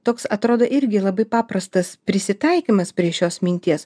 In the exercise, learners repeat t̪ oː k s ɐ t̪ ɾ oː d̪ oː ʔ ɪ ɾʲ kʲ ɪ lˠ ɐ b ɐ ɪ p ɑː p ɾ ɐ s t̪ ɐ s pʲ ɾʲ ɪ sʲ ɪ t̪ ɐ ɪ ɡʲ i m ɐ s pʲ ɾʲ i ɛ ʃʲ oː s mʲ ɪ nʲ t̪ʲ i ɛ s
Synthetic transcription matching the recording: t̪ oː k s ɐ t̪ ɾ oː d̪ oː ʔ ɪ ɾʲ ɡʲ ɪ lˠ ɐ b ɐ ɪ p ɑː p ɾ ɐ s t̪ ɐ s pʲ ɾʲ ɪ sʲ ɪ t̪ ɐ ɪ kʲ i m ɐ s pʲ ɾʲ i ɛ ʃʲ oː s mʲ ɪ nʲ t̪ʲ i ɛ s

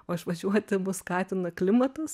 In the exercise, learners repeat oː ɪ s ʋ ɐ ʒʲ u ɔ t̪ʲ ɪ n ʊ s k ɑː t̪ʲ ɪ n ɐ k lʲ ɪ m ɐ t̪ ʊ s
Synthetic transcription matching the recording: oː ɪ ʃ ʋ ɐ ʒʲ u ɔ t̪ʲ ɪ m ʊ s k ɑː t̪ʲ ɪ n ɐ k lʲ ɪ m ɐ t̪ ʊ s

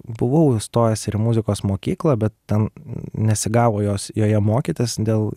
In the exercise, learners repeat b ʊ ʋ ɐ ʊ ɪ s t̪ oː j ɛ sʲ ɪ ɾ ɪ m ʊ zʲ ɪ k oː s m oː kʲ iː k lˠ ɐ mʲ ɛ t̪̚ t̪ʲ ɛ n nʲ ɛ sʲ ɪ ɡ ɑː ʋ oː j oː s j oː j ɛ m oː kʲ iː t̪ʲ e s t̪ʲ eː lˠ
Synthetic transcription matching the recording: b ʊ ʋ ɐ ʊ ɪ s t̪ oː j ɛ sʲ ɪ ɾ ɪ m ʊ zʲ ɪ k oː s m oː kʲ iː k lˠ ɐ bʲ ɛ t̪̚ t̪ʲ ɛ n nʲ ɛ sʲ ɪ ɡ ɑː ʋ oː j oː s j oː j ɛ m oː kʲ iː t̪ʲ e s d̪ʲ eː lˠ

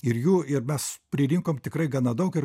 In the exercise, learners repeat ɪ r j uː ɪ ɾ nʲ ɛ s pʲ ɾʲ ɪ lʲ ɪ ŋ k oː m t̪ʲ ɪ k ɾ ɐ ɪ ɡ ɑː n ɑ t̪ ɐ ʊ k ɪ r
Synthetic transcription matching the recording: ɪ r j uː ɪ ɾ mʲ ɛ s pʲ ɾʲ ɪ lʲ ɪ ŋ k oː m t̪ʲ ɪ k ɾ ɐ ɪ ɡ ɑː n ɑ d̪ ɐ ʊ k ɪ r

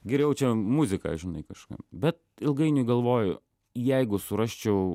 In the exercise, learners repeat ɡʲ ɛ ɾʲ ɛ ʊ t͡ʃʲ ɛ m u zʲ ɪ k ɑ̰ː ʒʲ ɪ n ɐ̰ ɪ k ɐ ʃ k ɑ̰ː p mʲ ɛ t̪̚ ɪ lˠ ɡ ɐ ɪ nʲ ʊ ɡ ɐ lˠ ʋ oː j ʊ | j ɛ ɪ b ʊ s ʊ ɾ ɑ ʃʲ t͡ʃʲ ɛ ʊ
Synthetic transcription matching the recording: ɡʲ ɛ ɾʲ ɛ ʊ t͡ʃʲ ɛ m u zʲ ɪ k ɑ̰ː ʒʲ ɪ n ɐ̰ ɪ k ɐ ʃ k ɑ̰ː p bʲ ɛ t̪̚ ɪ lˠ ɡ ɐ ɪ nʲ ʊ ɡ ɐ lˠ ʋ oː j ʊ | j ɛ ɪ ɡ ʊ s ʊ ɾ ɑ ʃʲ t͡ʃʲ ɛ ʊ

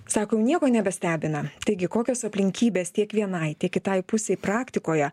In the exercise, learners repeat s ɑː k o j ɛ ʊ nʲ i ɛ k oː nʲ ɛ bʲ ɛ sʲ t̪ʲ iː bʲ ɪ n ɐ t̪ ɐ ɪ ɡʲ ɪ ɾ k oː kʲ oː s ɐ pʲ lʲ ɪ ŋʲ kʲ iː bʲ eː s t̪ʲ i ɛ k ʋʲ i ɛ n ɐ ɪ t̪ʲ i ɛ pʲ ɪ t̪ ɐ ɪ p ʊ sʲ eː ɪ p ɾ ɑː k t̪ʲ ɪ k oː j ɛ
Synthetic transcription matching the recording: s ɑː k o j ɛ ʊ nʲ i ɛ k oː nʲ ɛ bʲ ɛ sʲ t̪ʲ æː bʲ ɪ n ɐ t̪ ɐ ɪ ɡʲ ɪ k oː kʲ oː s ɐ pʲ lʲ ɪ ŋʲ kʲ iː bʲ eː s t̪ʲ i ɛ k ʋʲ i ɛ n ɐ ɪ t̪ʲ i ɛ kʲ ɪ t̪ ɐ ɪ p ʊ sʲ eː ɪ p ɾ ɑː k t̪ʲ ɪ k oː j ɛ

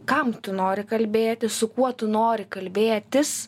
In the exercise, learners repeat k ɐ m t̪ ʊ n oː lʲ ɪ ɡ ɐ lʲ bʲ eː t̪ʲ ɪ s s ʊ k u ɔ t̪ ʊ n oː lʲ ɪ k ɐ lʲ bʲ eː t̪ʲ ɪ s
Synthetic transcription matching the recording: k ɐ m t̪ ʊ n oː ɾʲ ɪ k ɐ lʲ bʲ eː t̪ʲ ɪ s s ʊ k u ɔ t̪ ʊ n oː ɾʲ ɪ k ɐ lʲ bʲ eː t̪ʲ ɪ s

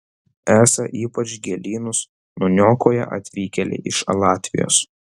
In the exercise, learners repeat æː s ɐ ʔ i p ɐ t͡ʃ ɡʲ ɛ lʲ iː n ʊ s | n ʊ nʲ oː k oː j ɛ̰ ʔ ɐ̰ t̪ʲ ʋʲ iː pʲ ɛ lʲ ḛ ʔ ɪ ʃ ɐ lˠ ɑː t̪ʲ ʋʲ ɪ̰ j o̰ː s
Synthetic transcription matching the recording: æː s ɐ ʔ iː p ɐ t͡ʃ ɡʲ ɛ lʲ iː n ʊ s | n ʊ nʲ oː k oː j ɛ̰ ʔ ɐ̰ t̪ʲ ʋʲ iː kʲ ɛ lʲ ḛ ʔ ɪ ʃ ɐ lˠ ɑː t̪ʲ ʋʲ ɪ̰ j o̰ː s

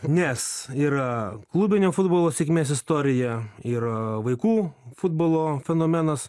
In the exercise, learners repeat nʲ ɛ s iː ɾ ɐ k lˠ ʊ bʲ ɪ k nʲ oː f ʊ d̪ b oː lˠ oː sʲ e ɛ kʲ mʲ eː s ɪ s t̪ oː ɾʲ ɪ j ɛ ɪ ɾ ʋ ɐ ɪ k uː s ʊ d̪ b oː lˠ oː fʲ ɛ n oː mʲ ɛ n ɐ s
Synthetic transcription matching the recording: nʲ ɛ s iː ɾ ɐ k lˠ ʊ bʲ ɪ nʲ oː f ʊ d̪ b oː lˠ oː sʲ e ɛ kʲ mʲ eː s ɪ s t̪ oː ɾʲ ɪ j ɛ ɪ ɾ ʋ ɐ ɪ k uː f ʊ d̪ b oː lˠ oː fʲ ɛ n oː mʲ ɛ n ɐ s

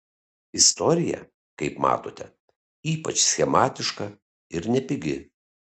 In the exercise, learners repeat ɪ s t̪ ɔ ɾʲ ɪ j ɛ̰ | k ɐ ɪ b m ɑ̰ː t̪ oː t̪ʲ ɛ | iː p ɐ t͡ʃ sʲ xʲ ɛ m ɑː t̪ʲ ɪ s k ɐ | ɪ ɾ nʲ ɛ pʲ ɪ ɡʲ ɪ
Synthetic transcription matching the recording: ɪ s t̪ ɔ ɾʲ ɪ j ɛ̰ | k ɐ ɪ p m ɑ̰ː t̪ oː t̪ʲ ɛ | iː p ɐ t͡ʃ sʲ xʲ ɛ m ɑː t̪ʲ ɪ ʃ k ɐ | ɪ ɾ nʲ ɛ pʲ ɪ ɡʲ ɪ

